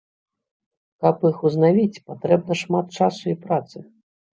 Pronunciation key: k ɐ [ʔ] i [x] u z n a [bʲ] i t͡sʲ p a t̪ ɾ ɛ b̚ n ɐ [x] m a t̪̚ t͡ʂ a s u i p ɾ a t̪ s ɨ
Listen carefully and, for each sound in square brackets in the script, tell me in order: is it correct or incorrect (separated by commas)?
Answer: incorrect, correct, incorrect, incorrect